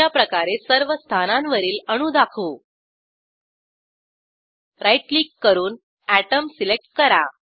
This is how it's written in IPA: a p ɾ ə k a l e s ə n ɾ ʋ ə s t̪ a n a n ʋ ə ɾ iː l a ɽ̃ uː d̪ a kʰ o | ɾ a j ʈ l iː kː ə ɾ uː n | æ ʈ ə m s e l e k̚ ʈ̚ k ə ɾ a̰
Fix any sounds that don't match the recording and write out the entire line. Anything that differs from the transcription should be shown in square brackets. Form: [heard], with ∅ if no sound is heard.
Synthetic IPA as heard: a p ɾ ə k a [ɾ] e s ə [∅] ɾ ʋ ə s [t̪ʰ] a n a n ʋ ə ɾ iː l [ə] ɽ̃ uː d̪ a kʰ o | ɾ a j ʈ l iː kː ə ɾ uː n | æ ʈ ə m s [i] l e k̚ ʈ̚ k ə ɾ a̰